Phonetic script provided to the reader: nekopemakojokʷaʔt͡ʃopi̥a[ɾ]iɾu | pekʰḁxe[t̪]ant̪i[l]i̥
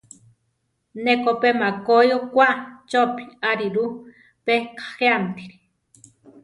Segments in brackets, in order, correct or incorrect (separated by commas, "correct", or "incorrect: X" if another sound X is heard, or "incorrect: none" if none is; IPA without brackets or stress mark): correct, incorrect: none, incorrect: ɾ